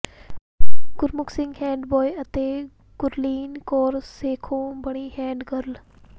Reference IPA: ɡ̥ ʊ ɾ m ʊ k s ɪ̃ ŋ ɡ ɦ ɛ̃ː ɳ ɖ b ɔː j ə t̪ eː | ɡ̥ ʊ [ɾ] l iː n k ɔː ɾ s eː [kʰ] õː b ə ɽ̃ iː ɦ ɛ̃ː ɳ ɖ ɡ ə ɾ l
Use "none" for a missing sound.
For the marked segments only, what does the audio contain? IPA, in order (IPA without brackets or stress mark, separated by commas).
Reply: ɾ, kʰ